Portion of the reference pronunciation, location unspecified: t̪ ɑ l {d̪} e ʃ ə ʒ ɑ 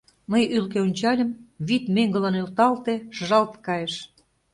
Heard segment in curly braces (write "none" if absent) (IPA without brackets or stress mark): t̪